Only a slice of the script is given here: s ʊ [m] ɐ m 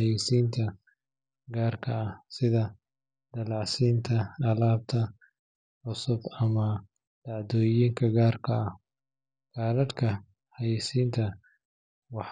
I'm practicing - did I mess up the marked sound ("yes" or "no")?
yes